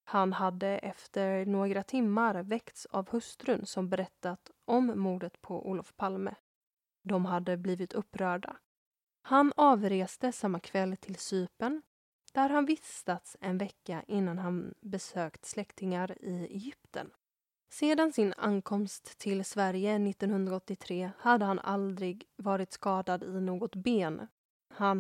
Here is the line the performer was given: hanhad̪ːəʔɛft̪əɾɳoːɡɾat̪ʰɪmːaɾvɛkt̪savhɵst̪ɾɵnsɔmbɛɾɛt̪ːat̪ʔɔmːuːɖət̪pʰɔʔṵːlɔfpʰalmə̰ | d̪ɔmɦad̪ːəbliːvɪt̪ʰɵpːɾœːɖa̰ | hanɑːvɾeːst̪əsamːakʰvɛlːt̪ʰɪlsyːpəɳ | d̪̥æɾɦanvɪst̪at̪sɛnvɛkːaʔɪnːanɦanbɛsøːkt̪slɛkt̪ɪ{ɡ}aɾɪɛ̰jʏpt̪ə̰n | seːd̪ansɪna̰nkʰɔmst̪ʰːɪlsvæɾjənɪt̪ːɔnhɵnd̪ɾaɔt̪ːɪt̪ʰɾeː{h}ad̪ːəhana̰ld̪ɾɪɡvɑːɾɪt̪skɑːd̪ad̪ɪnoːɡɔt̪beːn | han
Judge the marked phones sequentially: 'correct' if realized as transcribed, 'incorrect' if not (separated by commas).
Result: incorrect, correct